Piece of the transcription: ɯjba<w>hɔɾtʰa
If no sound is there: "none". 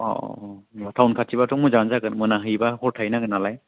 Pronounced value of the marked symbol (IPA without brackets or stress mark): none